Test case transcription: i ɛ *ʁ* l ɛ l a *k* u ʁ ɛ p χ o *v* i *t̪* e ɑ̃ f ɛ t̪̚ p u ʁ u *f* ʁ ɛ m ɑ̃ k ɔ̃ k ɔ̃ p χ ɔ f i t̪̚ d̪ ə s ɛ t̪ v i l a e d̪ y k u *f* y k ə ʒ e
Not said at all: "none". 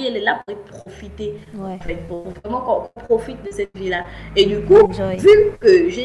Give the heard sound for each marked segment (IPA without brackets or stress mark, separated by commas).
none, p, f, t̪, v, v